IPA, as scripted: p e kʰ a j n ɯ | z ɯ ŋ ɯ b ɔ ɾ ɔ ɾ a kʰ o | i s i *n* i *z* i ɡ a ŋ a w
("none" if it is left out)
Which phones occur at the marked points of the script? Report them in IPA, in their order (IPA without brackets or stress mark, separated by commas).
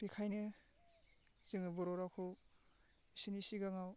n, s